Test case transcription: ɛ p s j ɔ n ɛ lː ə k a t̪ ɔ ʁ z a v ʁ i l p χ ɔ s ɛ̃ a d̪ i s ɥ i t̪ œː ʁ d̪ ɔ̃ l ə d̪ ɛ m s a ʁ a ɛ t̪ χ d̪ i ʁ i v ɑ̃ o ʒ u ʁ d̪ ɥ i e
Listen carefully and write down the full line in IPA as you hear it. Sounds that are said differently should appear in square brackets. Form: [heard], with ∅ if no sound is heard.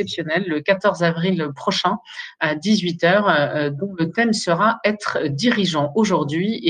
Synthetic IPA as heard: ɛ p s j ɔ n ɛ lː ə k a t̪ ɔ ʁ z a v ʁ i l p χ ɔ [ʃ] ɛ̃ a d̪ i [z] ɥ i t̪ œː ʁ d̪ ɔ̃ l ə [t̪] ɛ m s [ə] ʁ a ɛ t̪ χ d̪ i ʁ i [ʒ] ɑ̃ o ʒ u ʁ d̪ ɥ i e